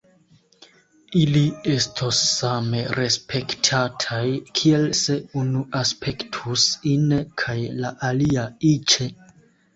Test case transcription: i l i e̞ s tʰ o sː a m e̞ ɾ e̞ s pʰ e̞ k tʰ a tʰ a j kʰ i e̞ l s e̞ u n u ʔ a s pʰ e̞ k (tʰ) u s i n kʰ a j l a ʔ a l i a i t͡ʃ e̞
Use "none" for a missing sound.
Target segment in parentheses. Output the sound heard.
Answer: tʰ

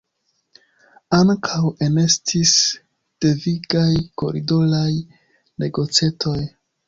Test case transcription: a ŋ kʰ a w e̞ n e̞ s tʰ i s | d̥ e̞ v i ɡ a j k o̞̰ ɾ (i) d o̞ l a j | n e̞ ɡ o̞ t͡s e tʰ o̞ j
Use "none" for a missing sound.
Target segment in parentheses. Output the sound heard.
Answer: i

